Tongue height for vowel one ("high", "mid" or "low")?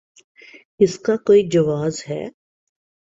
high